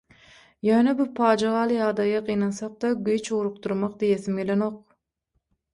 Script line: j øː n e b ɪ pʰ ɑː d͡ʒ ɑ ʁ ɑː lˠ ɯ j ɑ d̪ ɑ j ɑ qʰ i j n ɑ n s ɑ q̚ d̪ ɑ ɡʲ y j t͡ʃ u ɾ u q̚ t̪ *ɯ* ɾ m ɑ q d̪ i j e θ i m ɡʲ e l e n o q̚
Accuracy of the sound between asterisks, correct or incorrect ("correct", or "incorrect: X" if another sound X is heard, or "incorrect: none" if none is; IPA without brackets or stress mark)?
incorrect: u